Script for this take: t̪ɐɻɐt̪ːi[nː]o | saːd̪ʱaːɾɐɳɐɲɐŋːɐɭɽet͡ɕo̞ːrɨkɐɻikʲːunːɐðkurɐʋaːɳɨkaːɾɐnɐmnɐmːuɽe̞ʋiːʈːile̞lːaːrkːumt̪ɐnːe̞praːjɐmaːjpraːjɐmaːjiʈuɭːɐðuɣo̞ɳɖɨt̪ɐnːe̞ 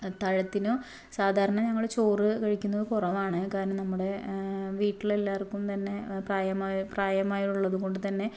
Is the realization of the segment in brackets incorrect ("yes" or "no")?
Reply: yes